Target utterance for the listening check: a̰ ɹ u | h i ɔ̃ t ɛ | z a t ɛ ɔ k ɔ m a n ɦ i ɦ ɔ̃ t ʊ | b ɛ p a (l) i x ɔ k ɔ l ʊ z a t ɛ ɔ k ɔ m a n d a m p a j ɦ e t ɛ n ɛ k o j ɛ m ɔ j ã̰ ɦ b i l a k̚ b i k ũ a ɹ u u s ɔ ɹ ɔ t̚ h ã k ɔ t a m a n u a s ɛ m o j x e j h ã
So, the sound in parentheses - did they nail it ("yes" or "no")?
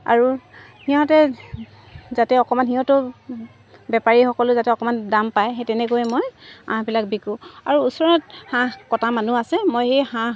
no